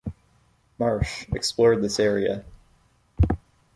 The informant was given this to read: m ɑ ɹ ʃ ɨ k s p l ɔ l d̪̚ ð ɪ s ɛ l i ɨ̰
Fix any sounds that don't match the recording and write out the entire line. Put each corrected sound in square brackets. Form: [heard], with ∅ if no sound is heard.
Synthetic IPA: m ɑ ɹ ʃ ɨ k s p l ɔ [ɹ] d̪̚ ð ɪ s ɛ [ɹ] i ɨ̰